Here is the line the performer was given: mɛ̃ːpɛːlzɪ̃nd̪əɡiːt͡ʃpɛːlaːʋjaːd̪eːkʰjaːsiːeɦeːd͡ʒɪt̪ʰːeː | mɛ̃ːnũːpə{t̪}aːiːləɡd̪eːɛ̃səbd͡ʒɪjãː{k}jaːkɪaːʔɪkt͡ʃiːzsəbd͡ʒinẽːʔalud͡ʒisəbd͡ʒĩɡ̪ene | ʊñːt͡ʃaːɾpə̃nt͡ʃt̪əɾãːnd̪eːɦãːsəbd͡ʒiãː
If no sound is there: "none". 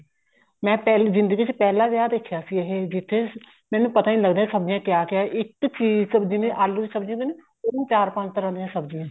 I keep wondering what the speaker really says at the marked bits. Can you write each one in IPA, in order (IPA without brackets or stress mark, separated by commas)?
t̪, k